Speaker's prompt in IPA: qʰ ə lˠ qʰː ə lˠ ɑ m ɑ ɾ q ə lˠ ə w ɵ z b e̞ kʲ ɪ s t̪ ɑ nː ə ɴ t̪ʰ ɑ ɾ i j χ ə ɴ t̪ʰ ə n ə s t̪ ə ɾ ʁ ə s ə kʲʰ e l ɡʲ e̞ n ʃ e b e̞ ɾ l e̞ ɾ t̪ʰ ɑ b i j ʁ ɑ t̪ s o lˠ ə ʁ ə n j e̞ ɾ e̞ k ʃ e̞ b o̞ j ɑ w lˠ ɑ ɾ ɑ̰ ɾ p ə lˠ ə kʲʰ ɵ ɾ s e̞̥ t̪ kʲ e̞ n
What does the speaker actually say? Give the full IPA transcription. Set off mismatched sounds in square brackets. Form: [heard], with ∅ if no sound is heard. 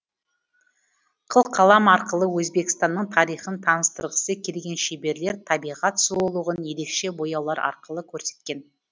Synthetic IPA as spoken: qʰ ə lˠ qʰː [ɑ] lˠ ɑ m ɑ ɾ q ə lˠ ə w ɵ z b e̞ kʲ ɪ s t̪ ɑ nː ə ɴ t̪ʰ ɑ ɾ i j χ ə [n] t̪ʰ [ɑ] n ə s t̪ ə ɾ ʁ ə s ə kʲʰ e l ɡʲ e̞ n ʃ e b e̞ ɾ l e̞ ɾ t̪ʰ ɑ b i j ʁ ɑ t̪ s o lˠ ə ʁ ə n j e̞ ɾ e̞ k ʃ e̞ b o̞ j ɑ w lˠ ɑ ɾ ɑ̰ ɾ [q] ə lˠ ə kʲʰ ɵ ɾ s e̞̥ t̪ kʲ e̞ n

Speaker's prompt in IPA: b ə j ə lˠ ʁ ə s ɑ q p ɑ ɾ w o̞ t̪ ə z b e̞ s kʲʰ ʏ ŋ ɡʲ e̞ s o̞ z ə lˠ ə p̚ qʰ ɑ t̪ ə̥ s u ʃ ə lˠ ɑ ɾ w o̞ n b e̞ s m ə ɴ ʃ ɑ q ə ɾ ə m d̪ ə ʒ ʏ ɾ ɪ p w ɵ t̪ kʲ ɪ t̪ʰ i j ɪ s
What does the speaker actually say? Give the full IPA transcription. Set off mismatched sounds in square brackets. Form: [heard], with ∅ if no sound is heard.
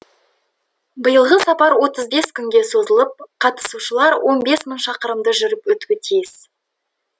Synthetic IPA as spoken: b ə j ə lˠ ʁ ə s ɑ [∅] p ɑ ɾ w o̞ t̪ ə z b e̞ s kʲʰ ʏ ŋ ɡʲ e̞ s o̞ z ə lˠ ə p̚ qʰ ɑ t̪ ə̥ s u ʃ ə lˠ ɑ ɾ w o̞ n b e̞ s m ə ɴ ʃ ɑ q ə ɾ ə m d̪ ə ʒ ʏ ɾ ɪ p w ɵ t̪ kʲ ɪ t̪ʰ i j ɪ s

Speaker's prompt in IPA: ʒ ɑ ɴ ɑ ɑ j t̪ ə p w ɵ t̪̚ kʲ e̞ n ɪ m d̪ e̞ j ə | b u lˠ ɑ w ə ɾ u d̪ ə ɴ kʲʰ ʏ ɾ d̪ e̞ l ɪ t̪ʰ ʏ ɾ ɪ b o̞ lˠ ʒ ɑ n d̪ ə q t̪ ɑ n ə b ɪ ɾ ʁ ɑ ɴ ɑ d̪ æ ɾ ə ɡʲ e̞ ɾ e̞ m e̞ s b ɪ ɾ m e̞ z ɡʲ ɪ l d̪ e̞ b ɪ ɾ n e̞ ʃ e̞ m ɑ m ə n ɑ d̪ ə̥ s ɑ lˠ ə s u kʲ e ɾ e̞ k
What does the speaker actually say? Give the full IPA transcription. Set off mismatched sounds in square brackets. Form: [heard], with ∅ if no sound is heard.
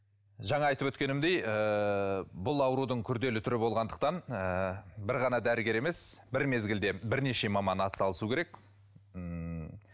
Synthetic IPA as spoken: ʒ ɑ ɴ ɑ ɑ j t̪ ə p w ɵ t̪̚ kʲ e̞ n ɪ m d̪ e̞ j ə | b [ʊ] lˠ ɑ w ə ɾ u d̪ ə ɴ kʲʰ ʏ ɾ d̪ e̞ l ɪ t̪ʰ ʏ ɾ ɪ b o̞ lˠ [ʁ] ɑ n d̪ ə q t̪ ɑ n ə b ɪ ɾ ʁ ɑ [n] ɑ d̪ æ ɾ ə ɡʲ e̞ ɾ e̞ m e̞ s b ɪ ɾ m e̞ z ɡʲ ɪ l d̪ e̞ b ɪ ɾ n e̞ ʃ e̞ m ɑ m [ɑ] n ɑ [t̪] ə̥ s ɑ lˠ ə s u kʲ e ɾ e̞ k

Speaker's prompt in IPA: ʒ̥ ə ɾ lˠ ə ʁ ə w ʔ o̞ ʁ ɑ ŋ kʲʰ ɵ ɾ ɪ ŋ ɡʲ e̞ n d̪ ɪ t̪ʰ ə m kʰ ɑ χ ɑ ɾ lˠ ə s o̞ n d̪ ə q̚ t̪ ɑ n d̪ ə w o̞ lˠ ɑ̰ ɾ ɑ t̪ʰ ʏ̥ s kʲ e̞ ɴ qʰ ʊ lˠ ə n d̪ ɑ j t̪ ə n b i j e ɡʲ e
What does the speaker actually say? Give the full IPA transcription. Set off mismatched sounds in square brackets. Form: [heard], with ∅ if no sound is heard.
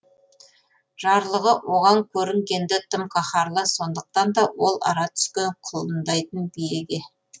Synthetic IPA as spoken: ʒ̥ [ɑ] ɾ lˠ ə ʁ ə w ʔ o̞ ʁ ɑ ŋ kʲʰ ɵ ɾ ɪ ŋ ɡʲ e̞ n d̪ ɪ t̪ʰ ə m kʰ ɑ χ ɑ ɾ lˠ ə s o̞ n d̪ ə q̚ t̪ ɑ n d̪ [ɑ] w o̞ lˠ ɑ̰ ɾ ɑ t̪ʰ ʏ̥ s kʲ e̞ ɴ qʰ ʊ lˠ ə n d̪ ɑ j t̪ ə n b i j e ɡʲ e

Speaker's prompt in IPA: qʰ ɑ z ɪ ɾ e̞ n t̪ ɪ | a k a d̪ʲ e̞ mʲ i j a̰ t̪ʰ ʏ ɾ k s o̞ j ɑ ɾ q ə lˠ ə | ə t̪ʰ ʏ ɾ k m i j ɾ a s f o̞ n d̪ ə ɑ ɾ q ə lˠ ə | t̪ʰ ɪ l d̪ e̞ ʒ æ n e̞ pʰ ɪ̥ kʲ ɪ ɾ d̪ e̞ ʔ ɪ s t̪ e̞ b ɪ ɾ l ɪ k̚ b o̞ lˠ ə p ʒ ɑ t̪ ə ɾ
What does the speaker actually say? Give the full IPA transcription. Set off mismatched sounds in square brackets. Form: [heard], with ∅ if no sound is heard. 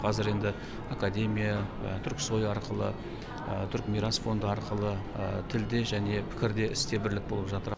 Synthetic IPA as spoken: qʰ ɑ z ɪ ɾ e̞ n [d̪] ɪ | a k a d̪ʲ e̞ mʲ i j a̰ t̪ʰ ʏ ɾ k s o̞ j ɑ ɾ q ə lˠ ə | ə t̪ʰ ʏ ɾ k m i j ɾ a s f o̞ n d̪ ə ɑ ɾ q ə lˠ ə | t̪ʰ ɪ l d̪ e̞ ʒ æ n e̞ pʰ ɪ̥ kʲ ɪ ɾ d̪ e̞ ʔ ɪ s t̪ e̞ b ɪ ɾ l ɪ k̚ b o̞ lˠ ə p ʒ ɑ t̪ ə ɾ

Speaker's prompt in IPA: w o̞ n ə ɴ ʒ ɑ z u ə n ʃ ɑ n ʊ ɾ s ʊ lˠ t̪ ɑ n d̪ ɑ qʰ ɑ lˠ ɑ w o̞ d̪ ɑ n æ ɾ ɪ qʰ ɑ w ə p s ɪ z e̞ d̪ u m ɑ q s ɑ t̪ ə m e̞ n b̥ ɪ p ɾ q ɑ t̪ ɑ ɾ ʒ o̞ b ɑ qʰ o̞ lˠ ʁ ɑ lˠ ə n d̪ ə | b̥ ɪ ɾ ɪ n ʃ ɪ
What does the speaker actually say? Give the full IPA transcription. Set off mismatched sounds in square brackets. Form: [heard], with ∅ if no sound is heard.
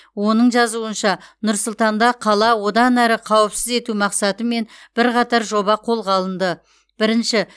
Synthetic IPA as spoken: w o̞ n ə ɴ ʒ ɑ z u ə n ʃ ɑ n ʊ ɾ s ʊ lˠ t̪ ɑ n d̪ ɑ qʰ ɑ lˠ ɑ w o̞ d̪ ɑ n æ ɾ ɪ qʰ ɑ w ə p s ɪ z e̞ [t̪] u m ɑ q s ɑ t̪ ə m e̞ n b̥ ɪ [∅] ɾ q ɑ t̪ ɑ ɾ ʒ o̞ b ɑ qʰ o̞ lˠ ʁ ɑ lˠ ə n d̪ ə | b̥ ɪ ɾ ɪ n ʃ ɪ

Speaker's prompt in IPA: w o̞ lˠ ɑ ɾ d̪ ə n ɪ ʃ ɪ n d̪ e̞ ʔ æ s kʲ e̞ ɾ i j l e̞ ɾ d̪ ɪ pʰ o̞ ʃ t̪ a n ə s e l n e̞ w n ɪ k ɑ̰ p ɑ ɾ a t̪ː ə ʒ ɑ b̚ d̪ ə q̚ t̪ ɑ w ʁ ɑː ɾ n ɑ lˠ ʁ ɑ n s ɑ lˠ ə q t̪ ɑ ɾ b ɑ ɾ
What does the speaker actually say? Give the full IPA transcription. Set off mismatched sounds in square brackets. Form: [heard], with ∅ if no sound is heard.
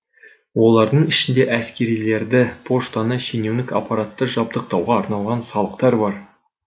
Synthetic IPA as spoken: w o̞ lˠ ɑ ɾ d̪ ə [ɴ] ɪ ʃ ɪ n d̪ e̞ ʔ æ s kʲ e̞ ɾ i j l e̞ ɾ d̪ ɪ pʰ o̞ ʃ t̪ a n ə [ʃ] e [∅] n e̞ w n ɪ k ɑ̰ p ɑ ɾ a t̪ː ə ʒ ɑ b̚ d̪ ə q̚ t̪ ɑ w ʁ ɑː ɾ n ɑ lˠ ʁ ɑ n s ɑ lˠ ə q t̪ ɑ ɾ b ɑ ɾ

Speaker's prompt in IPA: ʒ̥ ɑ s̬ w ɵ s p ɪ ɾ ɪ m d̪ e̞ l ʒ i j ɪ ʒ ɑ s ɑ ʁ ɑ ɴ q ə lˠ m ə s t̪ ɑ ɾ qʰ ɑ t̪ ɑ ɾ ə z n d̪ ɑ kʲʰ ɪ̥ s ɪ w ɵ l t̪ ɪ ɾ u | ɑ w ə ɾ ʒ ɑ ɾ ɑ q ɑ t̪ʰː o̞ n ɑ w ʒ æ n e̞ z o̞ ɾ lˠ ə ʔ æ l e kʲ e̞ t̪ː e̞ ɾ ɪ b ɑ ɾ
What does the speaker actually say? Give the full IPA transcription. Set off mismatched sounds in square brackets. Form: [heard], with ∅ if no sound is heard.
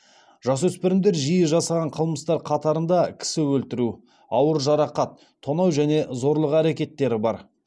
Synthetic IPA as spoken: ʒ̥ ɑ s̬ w ɵ s p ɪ ɾ ɪ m d̪ e̞ [ɾ] ʒ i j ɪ ʒ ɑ s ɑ ʁ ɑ ɴ [qʰ] ə lˠ m ə s t̪ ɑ ɾ qʰ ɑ t̪ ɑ ɾ ə [∅] n d̪ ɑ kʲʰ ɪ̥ s ɪ w ɵ l t̪ ɪ ɾ u | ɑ w ə ɾ ʒ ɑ ɾ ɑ q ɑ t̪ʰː o̞ n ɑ w ʒ æ n e̞ z o̞ ɾ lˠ ə [q] æ [ɾ] e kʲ e̞ t̪ː e̞ ɾ ɪ b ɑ ɾ

